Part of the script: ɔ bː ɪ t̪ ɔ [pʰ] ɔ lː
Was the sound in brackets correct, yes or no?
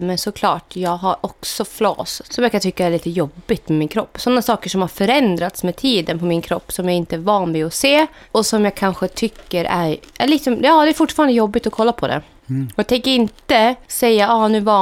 no